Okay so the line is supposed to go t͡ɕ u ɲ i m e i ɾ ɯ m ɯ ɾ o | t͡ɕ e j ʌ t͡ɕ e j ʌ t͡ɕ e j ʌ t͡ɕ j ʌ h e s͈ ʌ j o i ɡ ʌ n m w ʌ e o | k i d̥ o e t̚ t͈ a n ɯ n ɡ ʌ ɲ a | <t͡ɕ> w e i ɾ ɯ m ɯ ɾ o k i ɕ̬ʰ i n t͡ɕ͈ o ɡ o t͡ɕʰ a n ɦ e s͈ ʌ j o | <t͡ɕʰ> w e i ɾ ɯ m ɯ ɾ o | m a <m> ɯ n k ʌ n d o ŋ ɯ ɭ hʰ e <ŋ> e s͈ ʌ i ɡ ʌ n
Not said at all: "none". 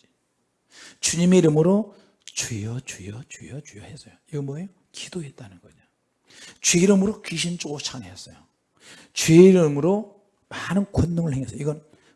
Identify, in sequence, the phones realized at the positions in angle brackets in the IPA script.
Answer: t͡ɕ, t͡ɕ, n, ŋ

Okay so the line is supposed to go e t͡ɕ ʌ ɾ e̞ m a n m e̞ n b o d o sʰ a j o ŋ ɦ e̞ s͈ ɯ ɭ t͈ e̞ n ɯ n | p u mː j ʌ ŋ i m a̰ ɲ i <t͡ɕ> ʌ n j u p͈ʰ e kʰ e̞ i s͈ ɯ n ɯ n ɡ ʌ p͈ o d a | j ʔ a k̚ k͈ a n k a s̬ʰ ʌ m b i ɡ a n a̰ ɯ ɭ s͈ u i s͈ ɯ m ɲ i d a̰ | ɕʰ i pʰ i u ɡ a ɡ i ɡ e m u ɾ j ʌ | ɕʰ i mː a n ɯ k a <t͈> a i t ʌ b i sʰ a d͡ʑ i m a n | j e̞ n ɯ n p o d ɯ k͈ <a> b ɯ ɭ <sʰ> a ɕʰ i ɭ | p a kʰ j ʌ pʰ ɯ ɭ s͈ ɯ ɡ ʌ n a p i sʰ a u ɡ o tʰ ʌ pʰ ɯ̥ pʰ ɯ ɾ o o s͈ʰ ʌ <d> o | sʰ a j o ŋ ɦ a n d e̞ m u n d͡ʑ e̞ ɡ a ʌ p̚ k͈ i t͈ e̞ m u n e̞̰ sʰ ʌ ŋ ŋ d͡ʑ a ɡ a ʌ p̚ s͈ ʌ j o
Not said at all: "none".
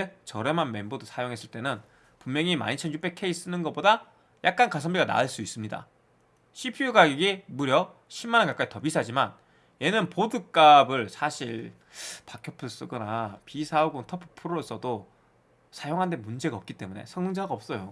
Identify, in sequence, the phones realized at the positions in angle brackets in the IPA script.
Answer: t͡ɕʰ, k͈, a, sʰ, d

